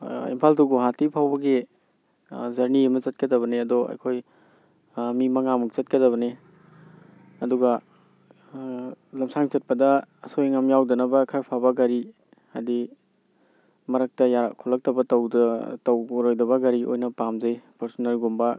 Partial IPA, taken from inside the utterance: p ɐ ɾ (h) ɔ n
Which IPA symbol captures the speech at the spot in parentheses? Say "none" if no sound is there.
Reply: s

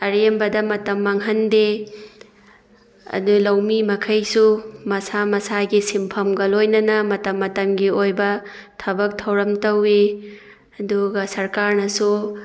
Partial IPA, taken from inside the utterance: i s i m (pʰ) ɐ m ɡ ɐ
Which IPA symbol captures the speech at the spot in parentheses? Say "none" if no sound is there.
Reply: pʰ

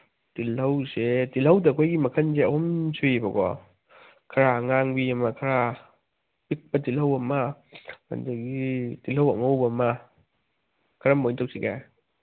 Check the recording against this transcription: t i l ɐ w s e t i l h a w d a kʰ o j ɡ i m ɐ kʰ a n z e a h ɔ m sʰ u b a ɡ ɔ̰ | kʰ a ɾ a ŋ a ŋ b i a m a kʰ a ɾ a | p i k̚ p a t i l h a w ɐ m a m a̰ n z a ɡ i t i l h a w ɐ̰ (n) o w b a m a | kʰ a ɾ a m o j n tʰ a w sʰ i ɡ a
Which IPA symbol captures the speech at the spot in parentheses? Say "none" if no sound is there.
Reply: ŋ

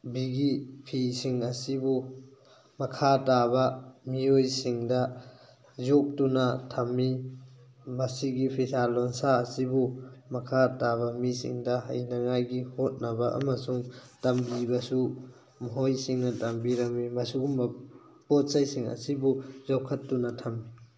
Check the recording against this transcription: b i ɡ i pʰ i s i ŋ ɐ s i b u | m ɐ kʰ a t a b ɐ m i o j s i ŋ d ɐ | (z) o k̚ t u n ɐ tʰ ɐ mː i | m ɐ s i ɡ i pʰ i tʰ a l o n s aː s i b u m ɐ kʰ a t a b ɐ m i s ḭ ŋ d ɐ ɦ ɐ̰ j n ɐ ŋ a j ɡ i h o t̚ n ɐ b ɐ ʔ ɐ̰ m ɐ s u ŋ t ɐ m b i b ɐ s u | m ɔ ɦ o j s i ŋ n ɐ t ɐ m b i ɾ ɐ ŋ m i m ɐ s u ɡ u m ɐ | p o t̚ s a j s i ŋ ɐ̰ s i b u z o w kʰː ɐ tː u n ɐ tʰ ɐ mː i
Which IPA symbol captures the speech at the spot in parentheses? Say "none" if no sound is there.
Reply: z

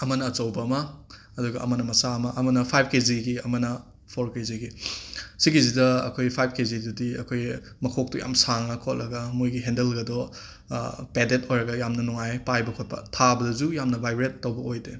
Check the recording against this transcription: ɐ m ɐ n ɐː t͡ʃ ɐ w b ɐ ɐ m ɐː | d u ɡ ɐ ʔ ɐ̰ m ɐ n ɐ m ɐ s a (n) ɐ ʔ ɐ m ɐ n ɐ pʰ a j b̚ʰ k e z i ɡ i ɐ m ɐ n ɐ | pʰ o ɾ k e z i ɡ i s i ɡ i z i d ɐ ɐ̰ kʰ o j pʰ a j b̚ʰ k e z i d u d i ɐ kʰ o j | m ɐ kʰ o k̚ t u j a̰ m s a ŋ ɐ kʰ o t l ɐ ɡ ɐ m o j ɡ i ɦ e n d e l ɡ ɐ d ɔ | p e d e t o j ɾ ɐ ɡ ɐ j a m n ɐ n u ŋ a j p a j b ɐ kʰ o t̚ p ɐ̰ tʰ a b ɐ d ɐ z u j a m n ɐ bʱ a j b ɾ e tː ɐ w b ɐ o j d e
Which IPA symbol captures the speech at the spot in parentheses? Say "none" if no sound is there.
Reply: m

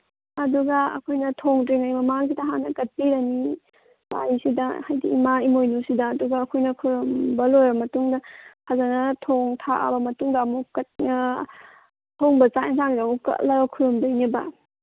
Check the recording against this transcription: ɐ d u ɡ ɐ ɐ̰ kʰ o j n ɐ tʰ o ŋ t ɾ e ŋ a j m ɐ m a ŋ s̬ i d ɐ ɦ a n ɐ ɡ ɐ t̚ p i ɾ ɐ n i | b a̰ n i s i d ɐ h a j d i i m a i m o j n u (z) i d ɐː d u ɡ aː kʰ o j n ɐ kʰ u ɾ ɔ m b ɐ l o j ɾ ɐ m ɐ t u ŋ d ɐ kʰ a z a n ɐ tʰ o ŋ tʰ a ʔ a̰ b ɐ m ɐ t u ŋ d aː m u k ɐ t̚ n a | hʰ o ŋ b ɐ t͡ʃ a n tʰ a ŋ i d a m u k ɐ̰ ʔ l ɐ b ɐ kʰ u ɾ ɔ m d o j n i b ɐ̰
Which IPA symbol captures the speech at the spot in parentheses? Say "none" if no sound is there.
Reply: s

